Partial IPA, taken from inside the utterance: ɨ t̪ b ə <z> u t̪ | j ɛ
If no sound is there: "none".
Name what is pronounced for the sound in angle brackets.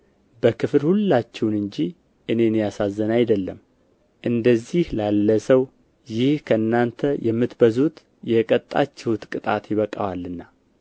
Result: z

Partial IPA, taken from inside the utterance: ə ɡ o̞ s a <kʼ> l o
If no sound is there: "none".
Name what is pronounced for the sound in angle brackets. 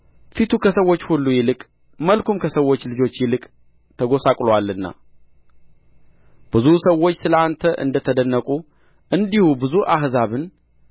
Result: kʼ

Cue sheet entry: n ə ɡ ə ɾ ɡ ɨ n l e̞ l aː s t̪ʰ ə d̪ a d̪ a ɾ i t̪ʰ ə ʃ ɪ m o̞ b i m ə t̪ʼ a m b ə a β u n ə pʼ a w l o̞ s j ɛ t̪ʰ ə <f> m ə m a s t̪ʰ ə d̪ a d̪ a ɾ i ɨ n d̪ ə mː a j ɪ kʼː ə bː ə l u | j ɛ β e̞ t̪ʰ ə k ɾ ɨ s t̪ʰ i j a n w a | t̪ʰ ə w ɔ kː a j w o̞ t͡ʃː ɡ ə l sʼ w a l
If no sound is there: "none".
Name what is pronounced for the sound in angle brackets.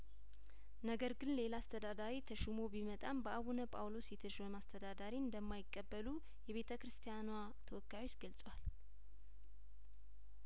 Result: ʃ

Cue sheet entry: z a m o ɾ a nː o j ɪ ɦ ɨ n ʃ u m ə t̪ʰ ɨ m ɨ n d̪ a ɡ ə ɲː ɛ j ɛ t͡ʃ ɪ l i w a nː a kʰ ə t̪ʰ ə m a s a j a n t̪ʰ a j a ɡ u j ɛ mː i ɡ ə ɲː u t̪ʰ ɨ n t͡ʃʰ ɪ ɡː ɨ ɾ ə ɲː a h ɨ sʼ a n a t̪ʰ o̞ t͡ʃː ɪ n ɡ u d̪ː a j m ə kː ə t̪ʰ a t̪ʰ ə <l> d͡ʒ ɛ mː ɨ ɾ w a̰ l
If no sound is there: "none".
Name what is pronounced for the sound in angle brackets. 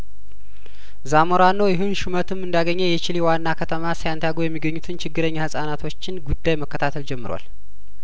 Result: l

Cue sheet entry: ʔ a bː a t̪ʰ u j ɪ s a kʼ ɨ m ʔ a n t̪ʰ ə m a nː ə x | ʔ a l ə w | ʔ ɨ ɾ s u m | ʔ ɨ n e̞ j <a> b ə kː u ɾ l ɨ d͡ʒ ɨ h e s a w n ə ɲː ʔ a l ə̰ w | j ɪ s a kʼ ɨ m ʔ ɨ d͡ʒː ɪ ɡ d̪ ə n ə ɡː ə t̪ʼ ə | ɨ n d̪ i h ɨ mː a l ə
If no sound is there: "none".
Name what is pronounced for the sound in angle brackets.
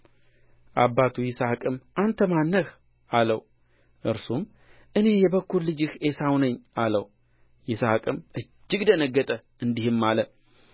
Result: ɛ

